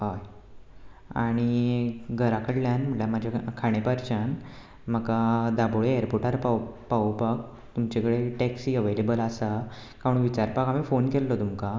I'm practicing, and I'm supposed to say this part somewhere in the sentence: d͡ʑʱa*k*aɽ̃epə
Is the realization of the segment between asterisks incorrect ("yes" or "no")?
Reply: yes